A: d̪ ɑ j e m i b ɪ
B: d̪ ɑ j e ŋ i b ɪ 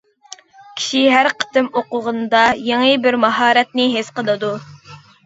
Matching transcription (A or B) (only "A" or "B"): B